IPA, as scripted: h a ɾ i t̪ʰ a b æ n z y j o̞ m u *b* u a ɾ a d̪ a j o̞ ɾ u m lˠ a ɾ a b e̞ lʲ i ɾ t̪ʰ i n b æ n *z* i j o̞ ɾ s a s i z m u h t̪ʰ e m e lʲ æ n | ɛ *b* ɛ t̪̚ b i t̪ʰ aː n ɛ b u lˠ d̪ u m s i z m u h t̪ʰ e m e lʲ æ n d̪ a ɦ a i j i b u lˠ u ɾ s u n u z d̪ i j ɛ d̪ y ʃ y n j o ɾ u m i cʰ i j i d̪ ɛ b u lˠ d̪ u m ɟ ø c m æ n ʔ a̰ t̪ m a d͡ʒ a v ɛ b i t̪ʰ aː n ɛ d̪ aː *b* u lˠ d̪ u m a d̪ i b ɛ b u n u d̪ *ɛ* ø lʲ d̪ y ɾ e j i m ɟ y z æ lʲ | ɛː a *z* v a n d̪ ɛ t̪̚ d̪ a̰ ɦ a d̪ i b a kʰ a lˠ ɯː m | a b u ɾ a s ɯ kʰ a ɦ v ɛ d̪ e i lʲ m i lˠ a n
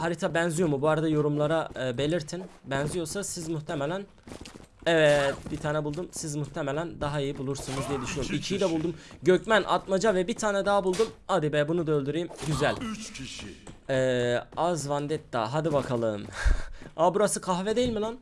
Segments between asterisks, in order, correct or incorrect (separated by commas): correct, correct, incorrect, correct, incorrect, correct